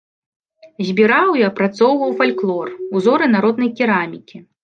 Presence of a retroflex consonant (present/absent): absent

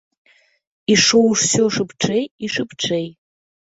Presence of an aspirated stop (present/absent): present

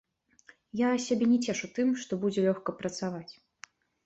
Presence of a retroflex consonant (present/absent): present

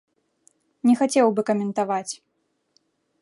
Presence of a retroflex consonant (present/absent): absent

